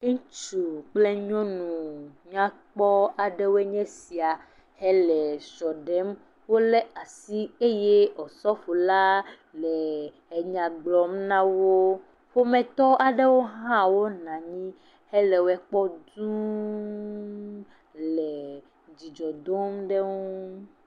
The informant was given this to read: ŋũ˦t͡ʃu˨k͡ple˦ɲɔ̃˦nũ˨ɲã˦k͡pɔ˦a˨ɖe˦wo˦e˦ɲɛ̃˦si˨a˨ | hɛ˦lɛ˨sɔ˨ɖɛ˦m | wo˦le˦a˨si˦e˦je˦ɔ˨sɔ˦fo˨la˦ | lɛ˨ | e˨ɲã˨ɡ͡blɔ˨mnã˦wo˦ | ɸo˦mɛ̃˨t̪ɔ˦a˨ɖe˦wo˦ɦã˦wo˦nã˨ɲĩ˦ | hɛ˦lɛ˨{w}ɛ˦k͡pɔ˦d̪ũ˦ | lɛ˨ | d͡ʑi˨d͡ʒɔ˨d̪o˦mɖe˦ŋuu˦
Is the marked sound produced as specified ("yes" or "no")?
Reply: yes